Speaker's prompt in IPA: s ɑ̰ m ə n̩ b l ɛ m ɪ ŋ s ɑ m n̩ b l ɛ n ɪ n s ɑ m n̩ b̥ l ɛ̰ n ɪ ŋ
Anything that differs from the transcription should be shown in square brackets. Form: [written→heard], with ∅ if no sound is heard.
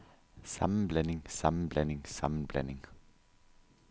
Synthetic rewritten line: s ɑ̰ m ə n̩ b l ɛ [m→n] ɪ ŋ s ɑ m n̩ b l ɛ n ɪ [n→ŋ] s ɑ m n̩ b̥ l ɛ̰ n ɪ ŋ